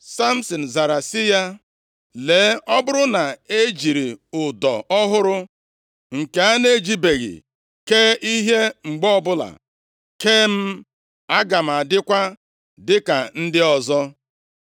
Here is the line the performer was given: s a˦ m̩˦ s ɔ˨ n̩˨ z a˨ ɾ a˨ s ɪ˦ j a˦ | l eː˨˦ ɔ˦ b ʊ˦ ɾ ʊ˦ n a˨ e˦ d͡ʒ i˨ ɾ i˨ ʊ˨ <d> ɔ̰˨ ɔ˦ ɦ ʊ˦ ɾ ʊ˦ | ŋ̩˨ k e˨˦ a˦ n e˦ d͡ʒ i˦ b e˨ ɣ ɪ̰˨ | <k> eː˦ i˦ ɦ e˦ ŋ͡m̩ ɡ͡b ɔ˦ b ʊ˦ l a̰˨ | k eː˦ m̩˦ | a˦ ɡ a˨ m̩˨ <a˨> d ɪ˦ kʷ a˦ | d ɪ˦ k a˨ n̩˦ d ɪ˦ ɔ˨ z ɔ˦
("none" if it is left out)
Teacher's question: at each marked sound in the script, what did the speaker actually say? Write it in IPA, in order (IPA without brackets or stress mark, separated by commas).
d, k, a˨